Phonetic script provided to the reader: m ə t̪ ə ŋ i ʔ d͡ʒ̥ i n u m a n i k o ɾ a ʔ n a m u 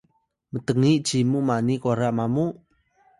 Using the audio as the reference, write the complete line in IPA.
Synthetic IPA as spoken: m ə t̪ ə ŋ i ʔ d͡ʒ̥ i m u m a n i k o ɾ a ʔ m a m u